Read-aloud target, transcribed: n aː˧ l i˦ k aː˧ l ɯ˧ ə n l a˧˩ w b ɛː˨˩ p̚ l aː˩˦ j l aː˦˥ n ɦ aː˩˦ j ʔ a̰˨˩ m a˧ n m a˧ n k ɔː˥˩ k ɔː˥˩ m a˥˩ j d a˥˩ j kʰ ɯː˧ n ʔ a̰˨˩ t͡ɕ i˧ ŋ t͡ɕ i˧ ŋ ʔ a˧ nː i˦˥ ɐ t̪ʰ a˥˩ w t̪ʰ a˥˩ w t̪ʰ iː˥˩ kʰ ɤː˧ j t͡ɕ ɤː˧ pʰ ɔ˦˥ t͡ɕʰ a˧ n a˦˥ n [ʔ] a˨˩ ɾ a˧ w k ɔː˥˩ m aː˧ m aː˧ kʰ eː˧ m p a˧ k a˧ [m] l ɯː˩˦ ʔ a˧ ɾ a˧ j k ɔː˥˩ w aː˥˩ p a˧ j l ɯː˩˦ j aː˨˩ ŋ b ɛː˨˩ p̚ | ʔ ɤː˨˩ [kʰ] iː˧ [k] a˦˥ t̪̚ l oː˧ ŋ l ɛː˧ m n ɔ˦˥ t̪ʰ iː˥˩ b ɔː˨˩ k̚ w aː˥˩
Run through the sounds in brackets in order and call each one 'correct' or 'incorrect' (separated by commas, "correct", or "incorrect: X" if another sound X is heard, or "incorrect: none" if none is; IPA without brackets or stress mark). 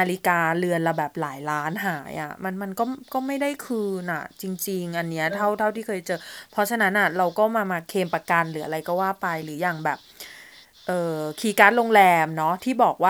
correct, incorrect: n, correct, correct